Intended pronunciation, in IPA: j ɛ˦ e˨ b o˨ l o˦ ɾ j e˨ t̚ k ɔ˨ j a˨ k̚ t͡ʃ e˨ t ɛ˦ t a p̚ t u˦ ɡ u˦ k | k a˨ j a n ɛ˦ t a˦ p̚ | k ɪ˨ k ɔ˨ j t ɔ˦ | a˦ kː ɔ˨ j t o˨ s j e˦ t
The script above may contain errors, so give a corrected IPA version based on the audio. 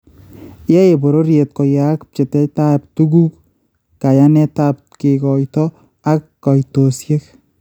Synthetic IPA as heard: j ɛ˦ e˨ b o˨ ɾ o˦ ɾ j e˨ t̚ k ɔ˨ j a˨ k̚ t͡ʃ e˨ t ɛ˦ t a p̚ t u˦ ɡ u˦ k | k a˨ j a n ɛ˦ t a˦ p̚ | k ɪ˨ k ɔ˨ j t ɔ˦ | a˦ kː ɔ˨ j t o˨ s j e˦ k

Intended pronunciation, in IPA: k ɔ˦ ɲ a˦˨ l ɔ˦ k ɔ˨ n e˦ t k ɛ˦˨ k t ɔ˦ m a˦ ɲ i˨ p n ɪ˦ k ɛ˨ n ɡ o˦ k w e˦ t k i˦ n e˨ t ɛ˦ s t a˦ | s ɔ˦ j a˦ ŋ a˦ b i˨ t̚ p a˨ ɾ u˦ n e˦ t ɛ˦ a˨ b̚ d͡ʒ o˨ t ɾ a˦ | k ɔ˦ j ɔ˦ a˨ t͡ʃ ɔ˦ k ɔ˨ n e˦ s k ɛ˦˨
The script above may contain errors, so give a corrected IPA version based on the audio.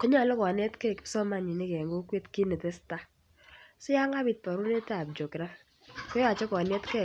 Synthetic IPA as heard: k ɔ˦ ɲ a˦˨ l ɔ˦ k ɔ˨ n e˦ t k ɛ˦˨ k s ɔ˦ m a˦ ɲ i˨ n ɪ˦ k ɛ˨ ŋ ɡ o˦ k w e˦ t k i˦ n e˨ t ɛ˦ s t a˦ | s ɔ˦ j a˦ ŋ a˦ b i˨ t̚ p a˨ ɾ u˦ n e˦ t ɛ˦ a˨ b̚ d͡ʒ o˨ k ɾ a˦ | k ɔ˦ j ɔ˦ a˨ t͡ʃ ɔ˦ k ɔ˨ n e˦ t k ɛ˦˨

